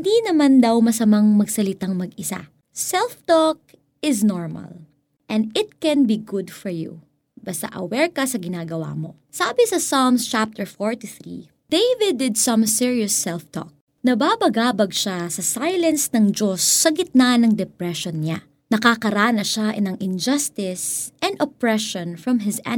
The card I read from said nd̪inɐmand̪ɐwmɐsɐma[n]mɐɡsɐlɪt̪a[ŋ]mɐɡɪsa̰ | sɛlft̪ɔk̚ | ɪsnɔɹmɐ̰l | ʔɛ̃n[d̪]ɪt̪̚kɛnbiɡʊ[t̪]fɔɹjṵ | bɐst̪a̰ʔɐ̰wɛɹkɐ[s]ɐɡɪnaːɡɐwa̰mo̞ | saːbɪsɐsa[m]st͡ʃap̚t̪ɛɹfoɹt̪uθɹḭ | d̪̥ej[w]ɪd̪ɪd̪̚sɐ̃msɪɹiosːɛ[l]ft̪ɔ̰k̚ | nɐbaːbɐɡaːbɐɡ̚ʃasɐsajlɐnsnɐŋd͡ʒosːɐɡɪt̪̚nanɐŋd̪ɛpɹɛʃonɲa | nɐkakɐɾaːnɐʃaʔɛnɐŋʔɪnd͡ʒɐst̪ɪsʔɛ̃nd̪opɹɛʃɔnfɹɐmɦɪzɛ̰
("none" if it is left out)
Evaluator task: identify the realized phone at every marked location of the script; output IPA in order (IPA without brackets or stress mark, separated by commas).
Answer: ŋ, ŋ, d̪, d̪, s, m, v, l